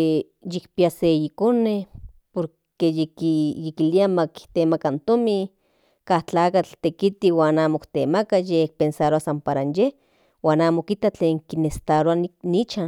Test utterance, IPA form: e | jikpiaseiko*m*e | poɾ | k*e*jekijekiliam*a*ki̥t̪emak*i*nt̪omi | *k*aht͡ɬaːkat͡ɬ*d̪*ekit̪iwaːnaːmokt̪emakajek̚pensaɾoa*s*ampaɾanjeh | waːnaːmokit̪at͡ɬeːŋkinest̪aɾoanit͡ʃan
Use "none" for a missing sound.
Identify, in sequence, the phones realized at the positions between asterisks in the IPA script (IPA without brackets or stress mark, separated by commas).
n, e, a, a, k, t̪, s